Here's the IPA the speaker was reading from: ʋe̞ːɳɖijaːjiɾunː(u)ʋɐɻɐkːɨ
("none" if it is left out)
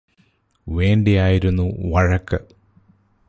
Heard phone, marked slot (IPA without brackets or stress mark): u